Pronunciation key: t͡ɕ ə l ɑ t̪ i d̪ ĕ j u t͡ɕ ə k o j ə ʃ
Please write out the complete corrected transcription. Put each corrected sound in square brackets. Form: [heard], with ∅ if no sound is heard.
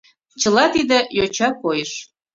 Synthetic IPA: t͡ɕ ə l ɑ t̪ i d̪ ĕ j [o] t͡ɕ [ɑ] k o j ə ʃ